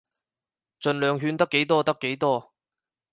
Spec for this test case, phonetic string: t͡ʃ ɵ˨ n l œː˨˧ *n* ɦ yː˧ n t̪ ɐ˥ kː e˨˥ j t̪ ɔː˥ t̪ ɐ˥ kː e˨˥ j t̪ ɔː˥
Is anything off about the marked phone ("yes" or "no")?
yes